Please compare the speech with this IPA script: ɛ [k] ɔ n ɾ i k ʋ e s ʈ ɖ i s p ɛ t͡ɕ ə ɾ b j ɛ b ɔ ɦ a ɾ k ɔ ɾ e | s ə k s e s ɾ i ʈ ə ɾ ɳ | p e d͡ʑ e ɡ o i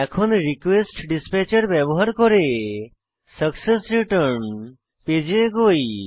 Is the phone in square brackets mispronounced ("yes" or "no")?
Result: yes